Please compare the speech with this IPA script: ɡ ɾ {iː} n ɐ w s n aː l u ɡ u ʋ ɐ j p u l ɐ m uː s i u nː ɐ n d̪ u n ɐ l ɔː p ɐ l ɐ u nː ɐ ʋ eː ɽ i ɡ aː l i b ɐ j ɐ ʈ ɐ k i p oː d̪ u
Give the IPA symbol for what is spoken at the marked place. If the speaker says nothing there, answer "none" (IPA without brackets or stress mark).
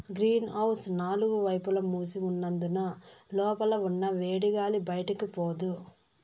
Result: iː